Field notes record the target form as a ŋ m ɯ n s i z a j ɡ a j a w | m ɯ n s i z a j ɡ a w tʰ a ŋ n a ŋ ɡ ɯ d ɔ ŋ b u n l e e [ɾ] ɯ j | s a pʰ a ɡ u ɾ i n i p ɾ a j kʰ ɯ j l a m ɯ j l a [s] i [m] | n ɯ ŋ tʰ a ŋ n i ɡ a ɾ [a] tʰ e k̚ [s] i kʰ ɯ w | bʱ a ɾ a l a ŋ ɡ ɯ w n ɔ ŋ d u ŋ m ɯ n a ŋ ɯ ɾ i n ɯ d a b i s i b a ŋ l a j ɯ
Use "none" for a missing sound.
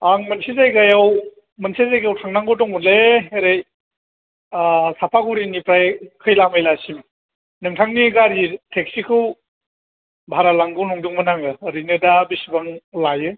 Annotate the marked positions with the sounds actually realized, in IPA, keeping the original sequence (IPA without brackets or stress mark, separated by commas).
ɾ, s, m, i, s